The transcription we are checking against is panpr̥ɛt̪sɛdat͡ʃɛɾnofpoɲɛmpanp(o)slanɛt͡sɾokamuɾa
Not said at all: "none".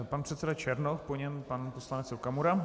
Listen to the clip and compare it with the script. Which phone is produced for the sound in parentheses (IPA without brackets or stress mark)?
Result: o